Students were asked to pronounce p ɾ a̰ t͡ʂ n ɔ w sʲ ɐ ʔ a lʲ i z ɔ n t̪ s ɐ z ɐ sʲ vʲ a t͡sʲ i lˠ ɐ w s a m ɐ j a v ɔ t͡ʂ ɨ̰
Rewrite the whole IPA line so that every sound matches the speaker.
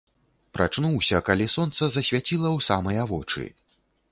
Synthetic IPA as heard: p ɾ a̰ t͡ʂ n u w sʲ ɐ k a lʲ i s ɔ n t̪ s ɐ z ɐ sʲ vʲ a t͡sʲ i lˠ ɐ w s a m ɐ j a v ɔ t͡ʂ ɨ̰